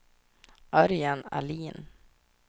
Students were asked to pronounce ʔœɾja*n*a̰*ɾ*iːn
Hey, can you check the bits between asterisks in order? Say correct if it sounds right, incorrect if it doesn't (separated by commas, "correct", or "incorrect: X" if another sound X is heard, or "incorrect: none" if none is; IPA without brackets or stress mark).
correct, incorrect: l